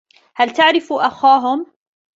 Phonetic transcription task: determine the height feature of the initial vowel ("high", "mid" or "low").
low